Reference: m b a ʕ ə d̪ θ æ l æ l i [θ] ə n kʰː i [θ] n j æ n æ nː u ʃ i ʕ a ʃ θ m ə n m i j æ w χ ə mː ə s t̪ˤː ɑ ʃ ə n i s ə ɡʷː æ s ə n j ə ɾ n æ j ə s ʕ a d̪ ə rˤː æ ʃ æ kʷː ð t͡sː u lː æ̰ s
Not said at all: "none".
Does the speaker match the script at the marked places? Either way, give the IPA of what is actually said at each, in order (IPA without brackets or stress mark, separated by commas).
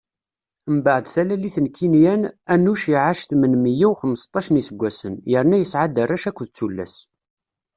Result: θ, none